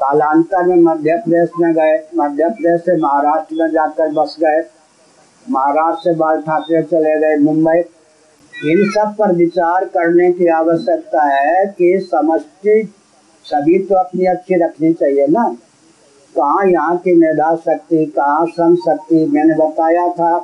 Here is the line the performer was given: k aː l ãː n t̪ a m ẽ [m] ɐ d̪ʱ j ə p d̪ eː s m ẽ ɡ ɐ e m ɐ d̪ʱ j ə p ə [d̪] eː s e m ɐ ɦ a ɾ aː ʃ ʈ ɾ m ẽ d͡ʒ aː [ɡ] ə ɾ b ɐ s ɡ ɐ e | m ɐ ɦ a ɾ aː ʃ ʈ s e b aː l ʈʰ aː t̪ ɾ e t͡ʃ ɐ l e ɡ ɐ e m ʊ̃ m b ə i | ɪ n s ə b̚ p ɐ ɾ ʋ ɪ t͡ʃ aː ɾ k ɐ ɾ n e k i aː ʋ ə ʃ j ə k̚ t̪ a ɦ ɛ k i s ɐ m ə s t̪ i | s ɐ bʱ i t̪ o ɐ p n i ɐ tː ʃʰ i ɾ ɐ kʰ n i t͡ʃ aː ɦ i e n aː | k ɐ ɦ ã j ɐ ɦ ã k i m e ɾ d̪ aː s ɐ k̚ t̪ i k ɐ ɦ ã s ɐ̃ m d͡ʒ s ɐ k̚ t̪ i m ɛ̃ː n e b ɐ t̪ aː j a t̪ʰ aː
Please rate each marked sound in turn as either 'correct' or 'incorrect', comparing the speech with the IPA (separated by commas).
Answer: correct, correct, incorrect